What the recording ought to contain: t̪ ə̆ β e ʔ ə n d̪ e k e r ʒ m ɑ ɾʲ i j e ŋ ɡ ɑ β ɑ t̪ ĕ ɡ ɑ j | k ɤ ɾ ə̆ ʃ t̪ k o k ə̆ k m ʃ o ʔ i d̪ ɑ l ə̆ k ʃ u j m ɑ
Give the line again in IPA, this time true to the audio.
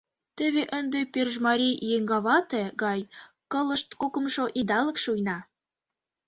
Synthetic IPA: t̪ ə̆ β e ʔ ə n d̪ e p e r ʒ m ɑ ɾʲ i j e ŋ ɡ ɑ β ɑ t̪ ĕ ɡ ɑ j | k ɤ l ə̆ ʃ t̪ k o k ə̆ m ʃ o ʔ i d̪ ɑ l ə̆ k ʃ u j n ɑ